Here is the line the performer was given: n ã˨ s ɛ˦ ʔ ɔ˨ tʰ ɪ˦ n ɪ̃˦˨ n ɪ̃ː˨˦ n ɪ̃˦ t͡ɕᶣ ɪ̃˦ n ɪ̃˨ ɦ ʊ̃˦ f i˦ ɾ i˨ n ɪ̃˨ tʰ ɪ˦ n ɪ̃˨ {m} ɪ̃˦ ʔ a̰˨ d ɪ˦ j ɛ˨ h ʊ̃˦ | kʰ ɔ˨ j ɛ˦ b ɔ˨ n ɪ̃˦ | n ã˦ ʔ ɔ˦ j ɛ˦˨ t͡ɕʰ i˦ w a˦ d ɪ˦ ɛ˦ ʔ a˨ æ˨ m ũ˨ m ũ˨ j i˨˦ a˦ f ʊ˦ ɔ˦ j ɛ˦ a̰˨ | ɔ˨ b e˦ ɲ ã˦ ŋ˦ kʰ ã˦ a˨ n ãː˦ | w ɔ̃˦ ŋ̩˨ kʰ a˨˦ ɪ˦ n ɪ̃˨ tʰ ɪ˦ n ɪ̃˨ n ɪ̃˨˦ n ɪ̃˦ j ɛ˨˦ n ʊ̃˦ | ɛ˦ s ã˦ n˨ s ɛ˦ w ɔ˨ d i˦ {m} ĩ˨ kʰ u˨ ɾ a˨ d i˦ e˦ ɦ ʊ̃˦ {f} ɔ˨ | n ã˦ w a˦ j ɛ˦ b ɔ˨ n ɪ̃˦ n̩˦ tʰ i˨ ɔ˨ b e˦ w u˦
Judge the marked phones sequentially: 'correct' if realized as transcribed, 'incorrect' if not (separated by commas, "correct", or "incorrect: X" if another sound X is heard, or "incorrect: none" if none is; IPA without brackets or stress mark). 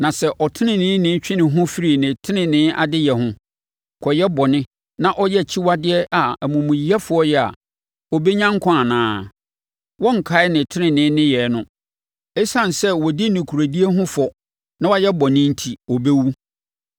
incorrect: n, incorrect: n, correct